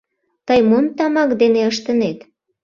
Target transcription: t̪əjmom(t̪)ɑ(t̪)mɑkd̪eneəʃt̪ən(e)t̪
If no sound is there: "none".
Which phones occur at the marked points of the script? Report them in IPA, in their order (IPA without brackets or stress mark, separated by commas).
t̪, none, e